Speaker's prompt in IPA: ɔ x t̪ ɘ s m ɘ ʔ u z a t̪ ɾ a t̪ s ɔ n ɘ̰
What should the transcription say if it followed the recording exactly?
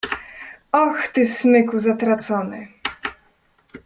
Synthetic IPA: ɔ x t̪ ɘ s m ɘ k u z a t̪ ɾ a t̪ s ɔ n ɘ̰

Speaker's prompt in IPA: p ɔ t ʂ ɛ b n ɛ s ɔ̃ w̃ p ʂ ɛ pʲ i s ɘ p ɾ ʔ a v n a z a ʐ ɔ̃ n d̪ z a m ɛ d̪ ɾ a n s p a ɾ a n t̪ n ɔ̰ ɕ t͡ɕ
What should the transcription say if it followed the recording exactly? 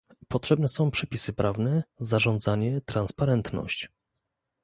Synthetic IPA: p ɔ t ʂ ɛ b n ɛ s ɔ̃ w̃ p ʂ ɛ pʲ i s ɘ p ɾ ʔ a v n ɛ z a ʐ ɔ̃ n d̪ z a ɲ ɛ t̪ ɾ a n s p a ɾ ɛ n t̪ n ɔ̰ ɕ t͡ɕ

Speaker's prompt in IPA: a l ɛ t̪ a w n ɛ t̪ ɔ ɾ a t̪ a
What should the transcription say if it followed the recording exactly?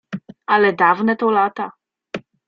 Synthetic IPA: a l ɛ d̪ a v n ɛ t̪ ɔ l a t̪ a

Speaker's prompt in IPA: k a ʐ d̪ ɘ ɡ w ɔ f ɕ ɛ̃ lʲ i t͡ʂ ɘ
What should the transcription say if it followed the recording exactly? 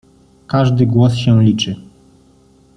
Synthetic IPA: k a ʐ d̪ ɘ ɡ w ɔ s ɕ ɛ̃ lʲ i t͡ʂ ɘ

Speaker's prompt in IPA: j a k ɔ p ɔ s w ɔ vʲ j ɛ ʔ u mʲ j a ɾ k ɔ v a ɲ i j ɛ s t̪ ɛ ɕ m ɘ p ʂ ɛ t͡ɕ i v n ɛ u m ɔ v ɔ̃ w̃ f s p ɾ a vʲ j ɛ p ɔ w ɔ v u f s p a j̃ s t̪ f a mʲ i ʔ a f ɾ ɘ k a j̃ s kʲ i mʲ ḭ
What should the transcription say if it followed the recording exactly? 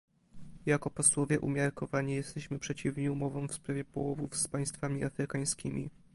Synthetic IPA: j a k ɔ p ɔ s w ɔ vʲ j ɛ ʔ u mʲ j a ɾ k ɔ v a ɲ i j ɛ s t̪ ɛ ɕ m ɘ p ʂ ɛ t͡ɕ i v ɲ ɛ u m ɔ v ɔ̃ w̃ f s p ɾ a vʲ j ɛ p ɔ w ɔ v u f s p a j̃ s t̪ f a mʲ i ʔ a f ɾ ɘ k a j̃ s kʲ i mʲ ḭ

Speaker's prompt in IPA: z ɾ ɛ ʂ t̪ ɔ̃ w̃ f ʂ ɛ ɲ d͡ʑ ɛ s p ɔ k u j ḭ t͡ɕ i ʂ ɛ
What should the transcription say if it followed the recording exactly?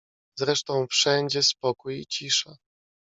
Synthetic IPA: z ɾ ɛ ʂ t̪ ɔ̃ w̃ f ʂ ɛ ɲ d͡ʑ ɛ s p ɔ k u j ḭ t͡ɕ i ʂ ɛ

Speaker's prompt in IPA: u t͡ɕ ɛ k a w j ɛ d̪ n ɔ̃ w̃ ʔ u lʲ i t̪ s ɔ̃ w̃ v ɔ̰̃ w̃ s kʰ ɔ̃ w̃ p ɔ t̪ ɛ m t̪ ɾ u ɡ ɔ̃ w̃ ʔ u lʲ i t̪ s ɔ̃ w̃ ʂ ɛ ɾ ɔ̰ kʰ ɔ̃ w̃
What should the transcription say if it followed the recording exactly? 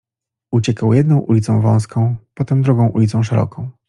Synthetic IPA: u t͡ɕ ɛ k a w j ɛ d̪ n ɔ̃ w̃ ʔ u lʲ i t̪ s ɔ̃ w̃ v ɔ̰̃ w̃ s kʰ ɔ̃ w̃ p ɔ t̪ ɛ m d̪ ɾ u ɡ ɔ̃ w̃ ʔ u lʲ i t̪ s ɔ̃ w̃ ʂ ɛ ɾ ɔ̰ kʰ ɔ̃ w̃

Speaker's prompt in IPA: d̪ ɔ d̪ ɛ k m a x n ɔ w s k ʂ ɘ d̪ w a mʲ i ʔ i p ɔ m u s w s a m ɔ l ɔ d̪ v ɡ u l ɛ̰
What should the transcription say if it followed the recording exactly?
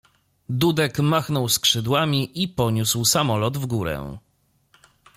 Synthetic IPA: d̪ u d̪ ɛ k m a x n ɔ w s k ʂ ɘ d̪ w a mʲ i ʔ i p ɔ ɲ u s w s a m ɔ l ɔ d̪ v ɡ u ɾ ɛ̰

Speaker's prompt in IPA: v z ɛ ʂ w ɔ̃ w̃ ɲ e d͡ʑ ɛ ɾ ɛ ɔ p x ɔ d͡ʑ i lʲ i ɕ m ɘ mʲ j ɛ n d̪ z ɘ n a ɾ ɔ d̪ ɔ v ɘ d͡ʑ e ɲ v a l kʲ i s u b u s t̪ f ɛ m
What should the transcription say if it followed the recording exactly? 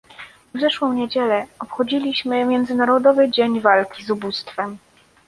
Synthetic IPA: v z ɛ ʂ w ɔ̃ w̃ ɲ e d͡ʑ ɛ l ɛ ɔ p x ɔ d͡ʑ i lʲ i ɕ m ɘ mʲ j ɛ n d̪ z ɘ n a ɾ ɔ d̪ ɔ v ɘ d͡ʑ e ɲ v a l kʲ i z u b u s t̪ f ɛ m

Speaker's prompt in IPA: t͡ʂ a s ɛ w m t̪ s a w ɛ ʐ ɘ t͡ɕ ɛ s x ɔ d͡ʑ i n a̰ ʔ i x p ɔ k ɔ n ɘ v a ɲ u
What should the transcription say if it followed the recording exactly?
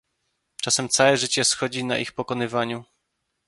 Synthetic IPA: t͡ʂ a s ɛ m t̪ s a w ɛ ʐ ɘ t͡ɕ ɛ s x ɔ d͡ʑ i n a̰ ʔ i x p ɔ k ɔ n ɘ v a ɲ u

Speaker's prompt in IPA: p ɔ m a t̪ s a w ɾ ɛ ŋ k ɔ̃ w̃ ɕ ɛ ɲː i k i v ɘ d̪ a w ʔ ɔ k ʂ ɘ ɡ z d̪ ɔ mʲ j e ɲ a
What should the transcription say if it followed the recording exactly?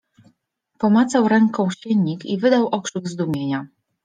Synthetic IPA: p ɔ m a t̪ s a w ɾ ɛ ŋ k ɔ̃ w̃ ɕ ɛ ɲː i k i v ɘ d̪ a w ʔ ɔ k ʂ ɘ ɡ z d̪ u mʲ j e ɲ a

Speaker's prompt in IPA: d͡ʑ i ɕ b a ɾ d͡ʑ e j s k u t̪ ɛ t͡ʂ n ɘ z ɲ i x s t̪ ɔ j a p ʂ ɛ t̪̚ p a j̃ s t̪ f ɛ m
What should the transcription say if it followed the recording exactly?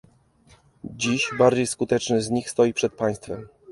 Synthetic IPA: d͡ʑ i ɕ b a ɾ d͡ʑ e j s k u t̪ ɛ t͡ʂ n ɘ z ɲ i x s t̪ ɔ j i p ʂ ɛ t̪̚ p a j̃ s t̪ f ɛ m

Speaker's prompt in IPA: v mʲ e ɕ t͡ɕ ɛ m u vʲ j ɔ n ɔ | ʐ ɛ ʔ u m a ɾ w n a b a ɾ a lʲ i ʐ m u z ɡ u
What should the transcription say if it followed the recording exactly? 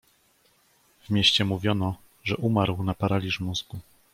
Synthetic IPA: v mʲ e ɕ t͡ɕ ɛ m u vʲ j ɔ n ɔ | ʐ ɛ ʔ u m a ɾ w n a p a ɾ a lʲ i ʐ m u z ɡ u

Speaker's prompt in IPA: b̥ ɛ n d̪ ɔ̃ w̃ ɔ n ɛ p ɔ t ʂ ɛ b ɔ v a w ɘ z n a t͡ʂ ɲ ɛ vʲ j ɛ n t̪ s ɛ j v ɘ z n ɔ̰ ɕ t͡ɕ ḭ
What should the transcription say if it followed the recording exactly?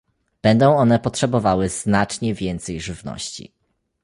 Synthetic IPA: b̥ ɛ n d̪ ɔ̃ w̃ ɔ n ɛ p ɔ t ʂ ɛ b ɔ v a w ɘ z n a t͡ʂ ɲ ɛ vʲ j ɛ n t̪ s ɛ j ʐ ɘ v n ɔ̰ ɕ t͡ɕ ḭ

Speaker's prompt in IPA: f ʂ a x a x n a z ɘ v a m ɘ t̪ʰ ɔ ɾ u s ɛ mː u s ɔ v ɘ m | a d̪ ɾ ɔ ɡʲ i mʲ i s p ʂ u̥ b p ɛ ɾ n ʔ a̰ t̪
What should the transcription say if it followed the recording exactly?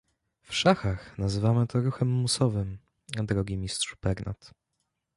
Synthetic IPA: f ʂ a x a x n a z ɘ v a m ɘ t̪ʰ ɔ ɾ u x ɛ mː u s ɔ v ɘ m | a d̪ ɾ ɔ ɡʲ i mʲ i s t ʂ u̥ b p ɛ ɾ n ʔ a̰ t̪

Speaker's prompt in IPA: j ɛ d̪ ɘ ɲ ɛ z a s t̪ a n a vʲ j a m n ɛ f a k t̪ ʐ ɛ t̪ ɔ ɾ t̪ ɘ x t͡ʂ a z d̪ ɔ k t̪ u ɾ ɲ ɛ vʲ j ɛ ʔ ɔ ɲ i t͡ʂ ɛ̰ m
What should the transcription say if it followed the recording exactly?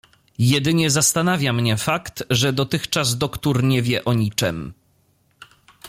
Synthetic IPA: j ɛ d̪ ɘ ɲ ɛ z a s t̪ a n a vʲ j a m ɲ ɛ f a k t̪ ʐ ɛ d̪ ɔ t̪ ɘ x t͡ʂ a z d̪ ɔ k t̪ u ɾ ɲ ɛ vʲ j ɛ ʔ ɔ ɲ i t͡ʂ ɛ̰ m

